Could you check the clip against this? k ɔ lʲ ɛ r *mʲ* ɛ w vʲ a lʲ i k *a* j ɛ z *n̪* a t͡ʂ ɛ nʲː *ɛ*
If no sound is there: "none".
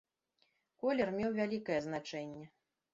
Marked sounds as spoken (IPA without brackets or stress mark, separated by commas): mʲ, ɐ, n̪, ɛ